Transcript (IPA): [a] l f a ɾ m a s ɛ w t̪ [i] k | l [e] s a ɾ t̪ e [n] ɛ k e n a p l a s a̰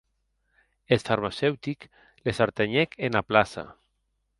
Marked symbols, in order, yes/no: no, yes, yes, no

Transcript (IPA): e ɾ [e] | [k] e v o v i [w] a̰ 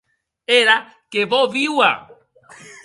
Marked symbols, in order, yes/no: no, yes, yes

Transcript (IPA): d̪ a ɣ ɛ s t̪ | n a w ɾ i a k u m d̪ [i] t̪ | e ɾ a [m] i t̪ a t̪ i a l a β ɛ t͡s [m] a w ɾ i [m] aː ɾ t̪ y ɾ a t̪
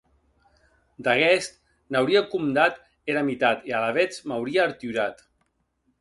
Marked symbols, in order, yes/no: no, yes, yes, no

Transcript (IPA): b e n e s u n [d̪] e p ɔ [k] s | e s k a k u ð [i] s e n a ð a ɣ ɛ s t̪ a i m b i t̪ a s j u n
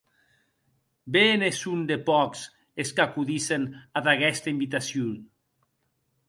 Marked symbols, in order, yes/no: yes, yes, yes

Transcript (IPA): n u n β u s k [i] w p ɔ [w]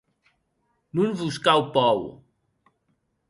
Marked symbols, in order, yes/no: no, yes

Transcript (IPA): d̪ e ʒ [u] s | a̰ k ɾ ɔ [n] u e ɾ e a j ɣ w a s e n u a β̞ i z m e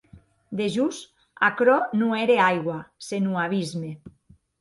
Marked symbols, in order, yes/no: yes, yes

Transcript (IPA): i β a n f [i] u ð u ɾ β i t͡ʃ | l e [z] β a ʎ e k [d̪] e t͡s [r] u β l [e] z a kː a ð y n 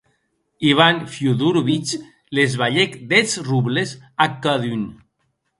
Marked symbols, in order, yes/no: no, yes, yes, yes, yes

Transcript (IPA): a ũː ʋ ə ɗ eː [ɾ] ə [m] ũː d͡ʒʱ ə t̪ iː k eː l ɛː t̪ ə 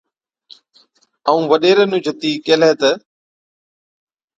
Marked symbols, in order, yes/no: yes, no

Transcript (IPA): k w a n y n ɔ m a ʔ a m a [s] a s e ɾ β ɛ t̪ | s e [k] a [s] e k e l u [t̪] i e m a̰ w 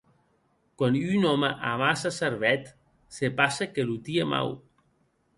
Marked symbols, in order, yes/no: yes, no, yes, yes

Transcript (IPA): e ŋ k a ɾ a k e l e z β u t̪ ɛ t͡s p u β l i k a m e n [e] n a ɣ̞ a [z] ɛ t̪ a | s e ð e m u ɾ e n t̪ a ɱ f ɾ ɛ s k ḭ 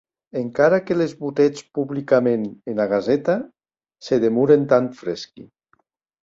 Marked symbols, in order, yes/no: yes, yes

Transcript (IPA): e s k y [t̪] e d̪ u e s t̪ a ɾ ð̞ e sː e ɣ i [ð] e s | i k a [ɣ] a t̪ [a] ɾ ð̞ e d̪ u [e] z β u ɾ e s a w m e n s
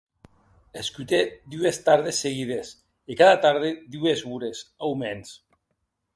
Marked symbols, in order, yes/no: yes, yes, no, yes, yes

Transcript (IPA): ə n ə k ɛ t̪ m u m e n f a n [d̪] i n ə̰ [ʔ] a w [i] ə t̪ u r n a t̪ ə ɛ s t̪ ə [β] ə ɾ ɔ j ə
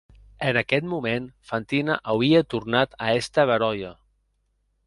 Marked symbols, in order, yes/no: no, yes, yes, yes

